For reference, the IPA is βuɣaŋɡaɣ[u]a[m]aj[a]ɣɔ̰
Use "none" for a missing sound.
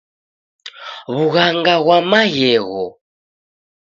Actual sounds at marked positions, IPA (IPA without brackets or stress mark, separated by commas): w, m, ɛ